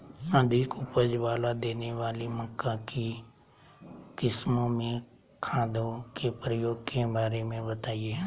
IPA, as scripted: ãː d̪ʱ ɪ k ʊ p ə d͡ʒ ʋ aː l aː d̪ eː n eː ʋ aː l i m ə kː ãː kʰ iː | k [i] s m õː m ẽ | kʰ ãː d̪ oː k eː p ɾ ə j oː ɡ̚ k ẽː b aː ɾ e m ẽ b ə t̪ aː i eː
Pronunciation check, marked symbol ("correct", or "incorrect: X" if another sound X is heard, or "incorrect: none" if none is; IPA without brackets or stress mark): incorrect: ɪ